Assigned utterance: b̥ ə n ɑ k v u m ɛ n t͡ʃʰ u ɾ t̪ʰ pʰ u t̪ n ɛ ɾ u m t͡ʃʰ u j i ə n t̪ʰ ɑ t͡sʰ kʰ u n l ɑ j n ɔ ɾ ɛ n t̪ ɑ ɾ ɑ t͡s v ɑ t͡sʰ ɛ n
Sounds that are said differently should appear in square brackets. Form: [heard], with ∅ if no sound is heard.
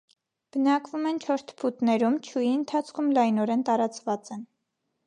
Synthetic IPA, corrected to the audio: b̥ ə n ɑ k v u m ɛ n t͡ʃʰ [ɔ] ɾ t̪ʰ pʰ u t̪ n ɛ ɾ u m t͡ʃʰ u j i ə n t̪ʰ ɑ t͡sʰ kʰ u [m] l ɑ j n ɔ ɾ ɛ n t̪ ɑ ɾ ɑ t͡s v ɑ [t͡s] ɛ n